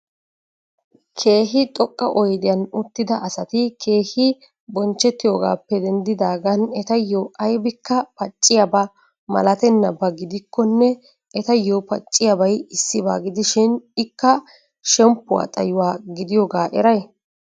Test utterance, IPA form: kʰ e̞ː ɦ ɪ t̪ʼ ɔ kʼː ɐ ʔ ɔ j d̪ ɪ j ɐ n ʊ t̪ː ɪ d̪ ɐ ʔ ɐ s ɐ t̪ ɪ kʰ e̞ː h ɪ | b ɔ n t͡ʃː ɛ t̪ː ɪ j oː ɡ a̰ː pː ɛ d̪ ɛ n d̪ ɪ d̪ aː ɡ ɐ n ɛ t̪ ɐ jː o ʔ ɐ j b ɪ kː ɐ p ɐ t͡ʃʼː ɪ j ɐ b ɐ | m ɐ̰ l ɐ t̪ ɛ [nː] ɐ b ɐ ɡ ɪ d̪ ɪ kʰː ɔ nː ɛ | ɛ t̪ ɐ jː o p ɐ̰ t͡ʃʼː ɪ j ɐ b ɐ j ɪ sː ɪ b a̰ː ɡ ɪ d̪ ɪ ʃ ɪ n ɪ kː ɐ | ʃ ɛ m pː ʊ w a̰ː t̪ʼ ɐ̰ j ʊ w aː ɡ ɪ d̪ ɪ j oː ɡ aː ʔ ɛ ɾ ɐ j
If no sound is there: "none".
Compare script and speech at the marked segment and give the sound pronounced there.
nː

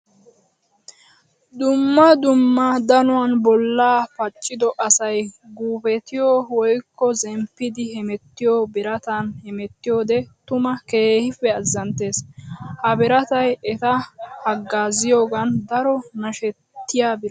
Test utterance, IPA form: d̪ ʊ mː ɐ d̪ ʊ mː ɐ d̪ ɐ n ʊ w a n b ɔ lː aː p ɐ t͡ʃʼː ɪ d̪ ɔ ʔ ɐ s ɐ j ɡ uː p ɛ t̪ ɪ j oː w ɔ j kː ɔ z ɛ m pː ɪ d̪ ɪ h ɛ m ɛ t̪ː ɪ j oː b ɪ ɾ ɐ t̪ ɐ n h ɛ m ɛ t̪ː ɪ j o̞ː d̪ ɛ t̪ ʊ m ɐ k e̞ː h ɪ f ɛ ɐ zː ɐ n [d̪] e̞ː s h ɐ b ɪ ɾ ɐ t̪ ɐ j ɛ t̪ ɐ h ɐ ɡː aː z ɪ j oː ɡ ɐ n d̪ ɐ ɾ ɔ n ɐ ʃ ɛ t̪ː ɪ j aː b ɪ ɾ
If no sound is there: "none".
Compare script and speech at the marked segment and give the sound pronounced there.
t̪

